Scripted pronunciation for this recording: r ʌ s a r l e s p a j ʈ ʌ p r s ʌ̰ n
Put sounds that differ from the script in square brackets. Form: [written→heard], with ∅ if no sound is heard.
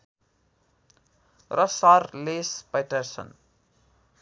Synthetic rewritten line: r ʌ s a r l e s p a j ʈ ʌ [p→∅] r s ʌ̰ n